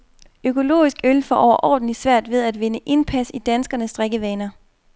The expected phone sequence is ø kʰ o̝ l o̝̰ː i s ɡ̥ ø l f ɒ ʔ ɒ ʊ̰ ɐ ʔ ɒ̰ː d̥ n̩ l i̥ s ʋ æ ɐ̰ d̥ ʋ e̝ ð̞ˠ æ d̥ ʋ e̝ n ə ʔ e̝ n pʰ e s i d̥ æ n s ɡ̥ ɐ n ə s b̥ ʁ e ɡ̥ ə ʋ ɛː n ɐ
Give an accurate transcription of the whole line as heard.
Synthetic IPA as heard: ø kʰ o̝ l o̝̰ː i s ɡ̥ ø l f ɒ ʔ ɒ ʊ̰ ɐ ʔ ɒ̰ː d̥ n̩ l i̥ s ʋ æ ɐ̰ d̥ ʋ e̝ ð̞ˠ æ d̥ ʋ e̝ n ə ʔ e̝ n pʰ æ s i d̥ æ n s ɡ̥ ɐ n ə s d̥ ʁ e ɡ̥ ə ʋ ɛː n ɐ